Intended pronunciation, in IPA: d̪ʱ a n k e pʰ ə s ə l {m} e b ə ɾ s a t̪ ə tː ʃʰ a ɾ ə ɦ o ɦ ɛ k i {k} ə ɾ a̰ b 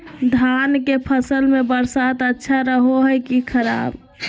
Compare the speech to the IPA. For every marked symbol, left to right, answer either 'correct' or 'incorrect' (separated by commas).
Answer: correct, incorrect